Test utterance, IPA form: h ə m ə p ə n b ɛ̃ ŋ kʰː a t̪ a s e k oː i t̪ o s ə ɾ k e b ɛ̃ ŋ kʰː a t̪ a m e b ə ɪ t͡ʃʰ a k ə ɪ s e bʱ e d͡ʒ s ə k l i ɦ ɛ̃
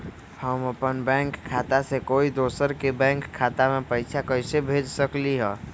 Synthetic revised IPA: h ə m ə p ə n b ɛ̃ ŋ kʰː a t̪ a s e k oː i d̪ o s ə ɾ k e b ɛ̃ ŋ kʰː a t̪ a m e p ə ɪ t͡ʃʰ a k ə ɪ s e bʱ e d͡ʒ s ə k l i ɦ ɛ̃

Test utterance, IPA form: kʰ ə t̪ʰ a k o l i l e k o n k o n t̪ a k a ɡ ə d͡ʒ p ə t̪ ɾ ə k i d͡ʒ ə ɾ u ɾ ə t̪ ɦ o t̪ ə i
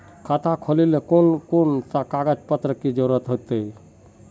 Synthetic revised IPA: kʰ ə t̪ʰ a kʰ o l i l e k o n k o n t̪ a k a ɡ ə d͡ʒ p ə t̪ ɾ ə k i d͡ʒ ə ɾ u ɾ ə t̪ ɦ o t̪ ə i

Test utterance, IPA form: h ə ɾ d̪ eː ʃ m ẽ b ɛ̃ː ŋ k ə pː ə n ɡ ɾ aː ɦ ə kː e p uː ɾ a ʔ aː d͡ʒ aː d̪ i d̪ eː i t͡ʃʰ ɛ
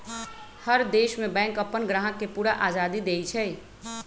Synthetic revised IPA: h ə ɾ d̪ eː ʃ m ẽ b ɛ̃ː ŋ k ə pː ə n ɡ ɾ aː ɦ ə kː e p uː ɾ a ʔ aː d͡ʒ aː d̪ i d̪ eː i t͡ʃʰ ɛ

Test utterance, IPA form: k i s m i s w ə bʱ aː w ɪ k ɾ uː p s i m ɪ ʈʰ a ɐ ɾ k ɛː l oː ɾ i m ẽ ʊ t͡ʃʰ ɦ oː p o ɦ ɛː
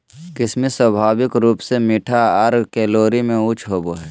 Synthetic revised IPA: k ɪ s m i s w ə bʱ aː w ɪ k ɾ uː p s e m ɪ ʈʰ a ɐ ɾ k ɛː l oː ɾ i m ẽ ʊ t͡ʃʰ ɦ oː b o ɦ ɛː

